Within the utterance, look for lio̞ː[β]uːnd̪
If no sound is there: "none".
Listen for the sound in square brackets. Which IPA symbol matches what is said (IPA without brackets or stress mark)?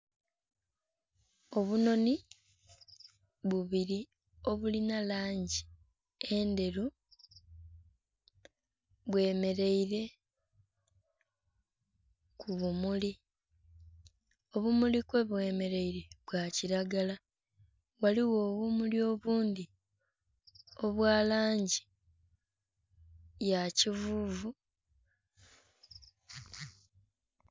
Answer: β